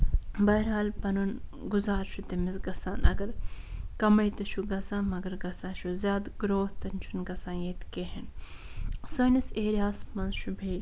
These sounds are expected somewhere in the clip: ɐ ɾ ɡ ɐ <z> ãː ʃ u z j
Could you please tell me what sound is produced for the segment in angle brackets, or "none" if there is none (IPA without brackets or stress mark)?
s